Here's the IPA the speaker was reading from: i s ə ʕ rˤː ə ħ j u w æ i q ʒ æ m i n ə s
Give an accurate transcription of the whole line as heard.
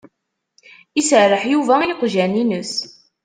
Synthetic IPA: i s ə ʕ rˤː ə ħ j u v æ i q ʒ æ n i n ə s